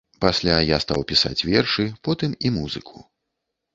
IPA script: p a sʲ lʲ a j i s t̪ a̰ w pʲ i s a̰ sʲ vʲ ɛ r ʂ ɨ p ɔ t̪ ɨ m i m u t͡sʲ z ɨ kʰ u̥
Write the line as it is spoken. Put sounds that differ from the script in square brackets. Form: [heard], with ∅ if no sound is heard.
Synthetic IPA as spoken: p a sʲ lʲ a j [a] s t̪ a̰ w pʲ i s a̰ [t͡sʲ] vʲ ɛ r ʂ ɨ p ɔ t̪ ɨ m i m u [∅] z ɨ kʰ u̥